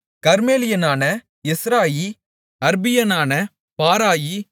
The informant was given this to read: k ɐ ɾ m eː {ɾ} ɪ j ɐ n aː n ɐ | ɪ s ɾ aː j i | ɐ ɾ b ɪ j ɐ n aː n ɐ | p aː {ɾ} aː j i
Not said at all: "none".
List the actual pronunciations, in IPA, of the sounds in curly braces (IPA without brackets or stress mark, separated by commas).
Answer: l, ɾ